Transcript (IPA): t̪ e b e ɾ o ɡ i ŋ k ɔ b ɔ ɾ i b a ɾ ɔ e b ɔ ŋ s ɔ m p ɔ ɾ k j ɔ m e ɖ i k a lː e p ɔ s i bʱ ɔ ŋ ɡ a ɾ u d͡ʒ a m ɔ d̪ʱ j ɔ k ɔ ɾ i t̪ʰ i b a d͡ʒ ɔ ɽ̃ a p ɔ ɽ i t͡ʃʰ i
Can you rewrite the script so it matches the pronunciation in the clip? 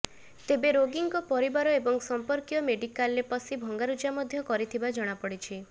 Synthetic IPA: t̪ e b e ɾ o ɡ i ŋ k ɔ p ɔ ɾ i b a ɾ ɔ e b ɔ ŋ s ɔ m p ɔ ɾ k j ɔ m e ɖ i k a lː e p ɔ s i bʱ ɔ ŋ ɡ a ɾ u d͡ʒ a m ɔ d̪ʱ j ɔ k ɔ ɾ i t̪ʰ i b a d͡ʒ ɔ ɽ̃ a p ɔ ɽ i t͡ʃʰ i